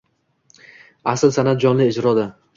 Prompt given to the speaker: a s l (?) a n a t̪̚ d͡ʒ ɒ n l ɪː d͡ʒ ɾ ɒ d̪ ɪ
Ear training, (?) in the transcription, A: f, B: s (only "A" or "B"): B